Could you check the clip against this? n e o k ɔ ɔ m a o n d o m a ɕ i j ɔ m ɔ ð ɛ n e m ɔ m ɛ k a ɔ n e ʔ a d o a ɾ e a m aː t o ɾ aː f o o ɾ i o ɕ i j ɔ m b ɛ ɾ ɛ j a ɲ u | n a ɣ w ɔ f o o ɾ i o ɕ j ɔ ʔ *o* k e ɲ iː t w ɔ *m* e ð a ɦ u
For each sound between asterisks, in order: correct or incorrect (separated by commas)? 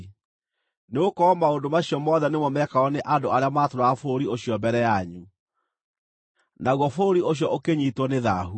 correct, incorrect